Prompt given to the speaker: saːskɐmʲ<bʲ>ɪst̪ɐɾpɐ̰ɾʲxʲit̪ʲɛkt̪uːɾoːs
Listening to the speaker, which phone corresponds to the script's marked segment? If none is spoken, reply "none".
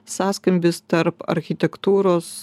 bʲ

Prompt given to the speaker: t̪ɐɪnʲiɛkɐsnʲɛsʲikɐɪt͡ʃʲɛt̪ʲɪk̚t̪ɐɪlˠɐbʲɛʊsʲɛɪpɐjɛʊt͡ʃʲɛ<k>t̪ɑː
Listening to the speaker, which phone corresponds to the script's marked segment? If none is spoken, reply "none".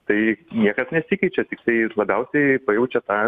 none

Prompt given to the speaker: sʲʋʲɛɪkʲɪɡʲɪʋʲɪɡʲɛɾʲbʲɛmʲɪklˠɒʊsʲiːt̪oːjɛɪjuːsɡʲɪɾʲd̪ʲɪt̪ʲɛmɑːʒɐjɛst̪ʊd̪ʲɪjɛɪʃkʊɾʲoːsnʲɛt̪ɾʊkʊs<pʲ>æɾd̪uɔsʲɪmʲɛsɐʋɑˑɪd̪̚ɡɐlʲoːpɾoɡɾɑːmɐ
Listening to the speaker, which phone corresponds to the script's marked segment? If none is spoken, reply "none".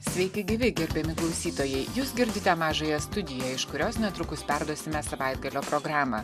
pʲ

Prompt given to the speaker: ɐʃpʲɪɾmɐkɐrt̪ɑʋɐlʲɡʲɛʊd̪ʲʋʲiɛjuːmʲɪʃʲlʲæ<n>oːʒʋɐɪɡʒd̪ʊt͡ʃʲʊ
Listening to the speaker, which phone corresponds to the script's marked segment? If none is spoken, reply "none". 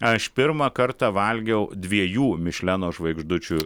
n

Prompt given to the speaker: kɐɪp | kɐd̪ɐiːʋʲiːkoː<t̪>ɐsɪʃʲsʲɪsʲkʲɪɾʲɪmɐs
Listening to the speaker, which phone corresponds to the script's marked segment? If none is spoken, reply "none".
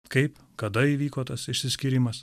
t̪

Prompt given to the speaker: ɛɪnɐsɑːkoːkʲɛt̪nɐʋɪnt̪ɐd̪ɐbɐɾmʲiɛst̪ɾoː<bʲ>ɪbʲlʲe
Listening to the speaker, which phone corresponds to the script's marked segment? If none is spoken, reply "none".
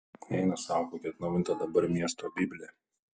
bʲ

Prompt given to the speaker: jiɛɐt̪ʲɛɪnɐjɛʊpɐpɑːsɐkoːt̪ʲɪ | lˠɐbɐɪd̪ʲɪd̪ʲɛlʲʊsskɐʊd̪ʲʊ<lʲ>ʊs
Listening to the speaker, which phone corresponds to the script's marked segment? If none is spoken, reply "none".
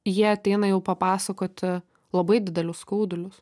lʲ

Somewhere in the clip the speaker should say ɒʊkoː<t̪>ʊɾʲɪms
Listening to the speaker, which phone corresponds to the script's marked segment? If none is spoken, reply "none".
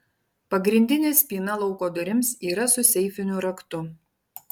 d̪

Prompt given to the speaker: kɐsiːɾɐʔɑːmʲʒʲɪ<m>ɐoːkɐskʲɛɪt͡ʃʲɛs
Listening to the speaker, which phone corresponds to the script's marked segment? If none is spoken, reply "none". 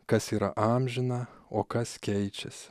n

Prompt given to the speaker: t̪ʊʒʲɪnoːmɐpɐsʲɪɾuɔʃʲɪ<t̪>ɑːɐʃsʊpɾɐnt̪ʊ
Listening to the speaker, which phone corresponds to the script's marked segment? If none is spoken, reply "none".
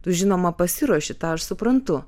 t̪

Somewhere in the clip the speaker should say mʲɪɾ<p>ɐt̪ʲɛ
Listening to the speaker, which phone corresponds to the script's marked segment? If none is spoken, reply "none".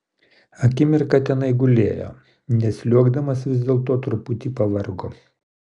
k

